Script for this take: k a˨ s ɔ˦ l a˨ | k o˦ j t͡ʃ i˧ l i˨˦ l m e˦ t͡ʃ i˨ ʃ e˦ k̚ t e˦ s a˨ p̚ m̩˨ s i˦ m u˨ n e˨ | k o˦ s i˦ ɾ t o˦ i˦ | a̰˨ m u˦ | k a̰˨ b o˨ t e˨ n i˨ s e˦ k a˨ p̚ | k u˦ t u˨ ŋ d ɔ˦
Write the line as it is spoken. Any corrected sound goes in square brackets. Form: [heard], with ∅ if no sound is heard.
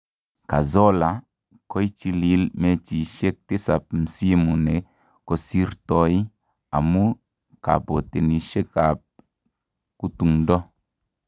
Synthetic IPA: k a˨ [z] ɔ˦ l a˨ | k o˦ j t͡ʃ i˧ l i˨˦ l m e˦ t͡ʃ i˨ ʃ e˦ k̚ t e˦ s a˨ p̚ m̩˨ s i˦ m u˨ n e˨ | k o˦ s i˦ ɾ t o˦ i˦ | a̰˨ m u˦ | k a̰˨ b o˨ t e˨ n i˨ [ʃ] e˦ k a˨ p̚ | k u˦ t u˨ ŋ d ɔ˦

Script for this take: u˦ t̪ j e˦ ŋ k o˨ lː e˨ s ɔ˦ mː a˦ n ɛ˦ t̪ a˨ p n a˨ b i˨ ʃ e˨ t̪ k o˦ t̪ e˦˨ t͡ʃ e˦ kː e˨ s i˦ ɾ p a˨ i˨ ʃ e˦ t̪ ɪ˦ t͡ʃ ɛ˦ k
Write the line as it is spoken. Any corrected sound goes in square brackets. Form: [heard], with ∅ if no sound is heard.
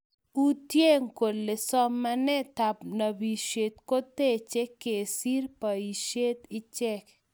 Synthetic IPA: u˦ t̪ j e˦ ŋ k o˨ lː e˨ s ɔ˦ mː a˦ n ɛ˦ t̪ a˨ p n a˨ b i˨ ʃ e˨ t̪ k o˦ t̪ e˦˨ t͡ʃ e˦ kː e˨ s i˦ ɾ p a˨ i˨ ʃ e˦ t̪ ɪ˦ t͡ʃ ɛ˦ k

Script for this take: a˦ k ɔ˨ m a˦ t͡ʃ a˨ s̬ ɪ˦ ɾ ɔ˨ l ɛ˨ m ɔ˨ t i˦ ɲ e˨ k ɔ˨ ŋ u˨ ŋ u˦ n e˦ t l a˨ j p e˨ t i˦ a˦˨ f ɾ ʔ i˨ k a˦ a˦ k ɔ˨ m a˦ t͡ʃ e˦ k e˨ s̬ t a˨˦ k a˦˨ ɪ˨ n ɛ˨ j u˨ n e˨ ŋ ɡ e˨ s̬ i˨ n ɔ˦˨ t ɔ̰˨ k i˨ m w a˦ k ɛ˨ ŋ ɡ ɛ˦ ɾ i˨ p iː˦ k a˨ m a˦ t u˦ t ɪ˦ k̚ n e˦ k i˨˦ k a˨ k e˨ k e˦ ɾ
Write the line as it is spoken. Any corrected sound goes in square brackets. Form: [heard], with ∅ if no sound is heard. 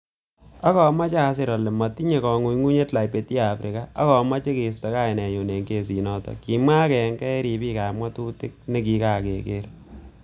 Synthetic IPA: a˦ k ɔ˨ m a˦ t͡ʃ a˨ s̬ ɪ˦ ɾ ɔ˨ l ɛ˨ m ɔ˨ t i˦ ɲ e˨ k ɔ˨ ŋ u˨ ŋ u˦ [ɲ] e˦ t l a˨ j p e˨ t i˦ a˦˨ f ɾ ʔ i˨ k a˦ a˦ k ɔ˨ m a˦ t͡ʃ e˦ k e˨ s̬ t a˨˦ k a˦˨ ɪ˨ n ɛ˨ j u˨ n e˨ ŋ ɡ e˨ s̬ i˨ n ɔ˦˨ t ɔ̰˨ k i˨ m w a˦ k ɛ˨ ŋ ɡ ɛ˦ ɾ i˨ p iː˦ k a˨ m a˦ t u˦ t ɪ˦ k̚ n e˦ k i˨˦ k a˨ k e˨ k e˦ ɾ

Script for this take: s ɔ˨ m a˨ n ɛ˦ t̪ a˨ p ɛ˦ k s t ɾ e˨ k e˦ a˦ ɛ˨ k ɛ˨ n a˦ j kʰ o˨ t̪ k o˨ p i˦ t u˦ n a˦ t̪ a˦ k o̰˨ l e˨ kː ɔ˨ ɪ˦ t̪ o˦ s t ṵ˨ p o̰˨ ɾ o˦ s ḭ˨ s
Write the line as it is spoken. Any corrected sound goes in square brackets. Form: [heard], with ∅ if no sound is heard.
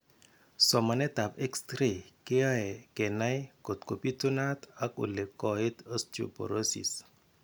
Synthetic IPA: s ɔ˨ m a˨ n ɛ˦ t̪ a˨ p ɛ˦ k s t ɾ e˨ k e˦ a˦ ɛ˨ k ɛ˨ n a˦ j [k] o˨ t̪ k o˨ p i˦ t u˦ n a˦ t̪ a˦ k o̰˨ l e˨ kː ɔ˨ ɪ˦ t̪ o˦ s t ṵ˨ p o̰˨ ɾ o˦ s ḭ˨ s

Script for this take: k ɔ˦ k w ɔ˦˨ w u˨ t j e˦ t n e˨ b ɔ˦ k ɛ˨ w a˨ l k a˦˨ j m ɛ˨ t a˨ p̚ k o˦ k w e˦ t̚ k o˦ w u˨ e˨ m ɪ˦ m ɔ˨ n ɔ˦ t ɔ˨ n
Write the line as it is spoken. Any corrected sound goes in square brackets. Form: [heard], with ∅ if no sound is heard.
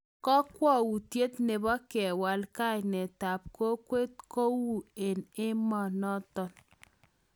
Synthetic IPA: k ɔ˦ k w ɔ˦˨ w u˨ t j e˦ t n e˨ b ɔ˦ k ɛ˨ w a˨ l k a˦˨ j [n] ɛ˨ t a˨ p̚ k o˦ k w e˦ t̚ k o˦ w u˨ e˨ [n] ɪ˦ m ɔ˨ n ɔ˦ t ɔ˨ n

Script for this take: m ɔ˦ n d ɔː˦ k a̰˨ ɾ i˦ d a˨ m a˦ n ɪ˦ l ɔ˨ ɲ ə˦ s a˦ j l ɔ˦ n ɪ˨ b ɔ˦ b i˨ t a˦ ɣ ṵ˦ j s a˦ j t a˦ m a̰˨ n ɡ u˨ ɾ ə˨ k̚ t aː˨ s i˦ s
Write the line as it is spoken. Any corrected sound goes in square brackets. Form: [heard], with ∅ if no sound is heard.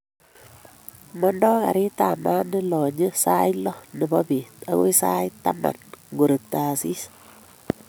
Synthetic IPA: m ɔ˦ n d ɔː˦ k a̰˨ ɾ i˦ [t] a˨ m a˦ n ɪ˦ l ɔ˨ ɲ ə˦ s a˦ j l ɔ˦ n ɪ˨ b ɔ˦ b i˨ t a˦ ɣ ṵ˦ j s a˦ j t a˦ m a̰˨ n ɡ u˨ ɾ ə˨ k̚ t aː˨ s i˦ s

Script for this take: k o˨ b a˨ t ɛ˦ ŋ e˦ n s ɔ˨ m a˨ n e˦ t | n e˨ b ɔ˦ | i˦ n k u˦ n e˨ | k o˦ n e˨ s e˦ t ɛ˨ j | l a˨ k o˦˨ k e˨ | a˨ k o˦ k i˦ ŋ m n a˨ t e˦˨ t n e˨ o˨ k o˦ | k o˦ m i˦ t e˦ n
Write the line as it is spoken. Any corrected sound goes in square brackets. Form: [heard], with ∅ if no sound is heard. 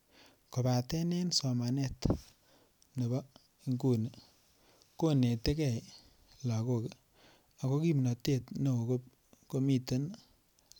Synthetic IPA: k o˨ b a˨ t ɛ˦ [n] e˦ n s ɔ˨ m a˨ n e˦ t | n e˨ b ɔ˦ | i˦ [ŋ] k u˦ n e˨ | k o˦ n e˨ [t] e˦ [k] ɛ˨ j | l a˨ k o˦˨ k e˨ | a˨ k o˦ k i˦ [∅] m n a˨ t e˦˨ t n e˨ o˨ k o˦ | k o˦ m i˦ t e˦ n

